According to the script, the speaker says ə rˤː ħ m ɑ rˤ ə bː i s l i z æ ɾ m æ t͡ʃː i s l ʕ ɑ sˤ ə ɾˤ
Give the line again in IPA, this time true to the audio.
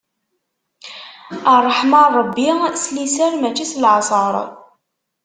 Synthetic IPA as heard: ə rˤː ħ m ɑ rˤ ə bː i s l i s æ ɾ m æ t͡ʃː i s l ʕ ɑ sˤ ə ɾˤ